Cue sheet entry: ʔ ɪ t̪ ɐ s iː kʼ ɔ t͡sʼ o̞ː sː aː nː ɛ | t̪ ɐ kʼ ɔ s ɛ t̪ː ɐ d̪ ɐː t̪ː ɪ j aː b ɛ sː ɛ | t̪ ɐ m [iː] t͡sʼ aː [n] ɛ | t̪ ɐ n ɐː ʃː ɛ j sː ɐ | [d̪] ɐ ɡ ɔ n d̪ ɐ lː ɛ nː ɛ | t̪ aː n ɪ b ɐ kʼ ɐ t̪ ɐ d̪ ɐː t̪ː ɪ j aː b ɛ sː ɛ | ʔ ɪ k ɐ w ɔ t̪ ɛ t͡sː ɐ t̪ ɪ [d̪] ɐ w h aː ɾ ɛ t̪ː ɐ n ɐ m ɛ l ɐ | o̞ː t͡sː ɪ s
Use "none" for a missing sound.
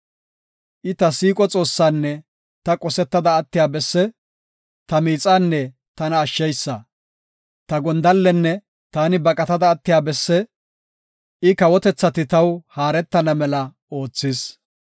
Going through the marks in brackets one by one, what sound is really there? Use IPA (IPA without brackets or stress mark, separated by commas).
iː, nː, t̪, t̪